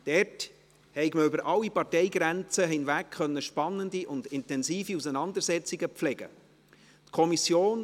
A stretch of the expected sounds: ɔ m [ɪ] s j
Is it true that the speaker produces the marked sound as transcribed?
no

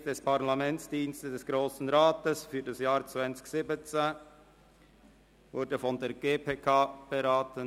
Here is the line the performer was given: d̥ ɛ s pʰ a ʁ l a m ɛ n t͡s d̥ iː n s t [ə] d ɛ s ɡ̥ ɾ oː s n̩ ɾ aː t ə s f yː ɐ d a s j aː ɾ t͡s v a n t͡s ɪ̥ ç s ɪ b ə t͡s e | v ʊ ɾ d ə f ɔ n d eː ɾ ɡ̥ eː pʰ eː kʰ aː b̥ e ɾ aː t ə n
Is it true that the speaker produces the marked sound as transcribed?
yes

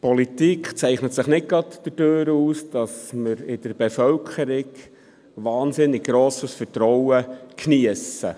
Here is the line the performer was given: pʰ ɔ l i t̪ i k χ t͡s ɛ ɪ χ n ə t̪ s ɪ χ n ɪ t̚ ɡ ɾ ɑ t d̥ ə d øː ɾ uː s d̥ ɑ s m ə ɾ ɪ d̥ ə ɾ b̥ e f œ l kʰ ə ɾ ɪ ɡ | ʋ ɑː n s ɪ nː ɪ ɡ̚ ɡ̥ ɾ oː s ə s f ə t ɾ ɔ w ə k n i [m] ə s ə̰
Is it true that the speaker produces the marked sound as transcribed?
no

